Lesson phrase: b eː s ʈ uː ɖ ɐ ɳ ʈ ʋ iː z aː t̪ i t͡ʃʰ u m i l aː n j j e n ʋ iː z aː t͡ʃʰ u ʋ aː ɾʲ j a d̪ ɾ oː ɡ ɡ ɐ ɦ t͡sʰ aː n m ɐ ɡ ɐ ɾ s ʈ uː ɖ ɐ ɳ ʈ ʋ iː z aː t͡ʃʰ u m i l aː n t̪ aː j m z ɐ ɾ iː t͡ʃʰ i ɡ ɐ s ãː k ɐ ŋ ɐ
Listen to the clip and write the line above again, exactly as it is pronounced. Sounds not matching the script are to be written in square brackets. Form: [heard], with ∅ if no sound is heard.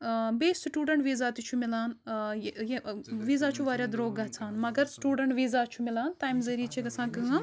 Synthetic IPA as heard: b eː s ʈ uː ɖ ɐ ɳ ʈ ʋ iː z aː t̪ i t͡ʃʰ u m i l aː n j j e [∅] ʋ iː z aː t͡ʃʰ u ʋ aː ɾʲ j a d̪ ɾ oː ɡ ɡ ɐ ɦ t͡sʰ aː n m ɐ ɡ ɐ ɾ s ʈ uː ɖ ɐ ɳ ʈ ʋ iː z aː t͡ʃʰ u m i l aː n t̪ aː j m z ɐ ɾ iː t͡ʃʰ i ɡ ɐ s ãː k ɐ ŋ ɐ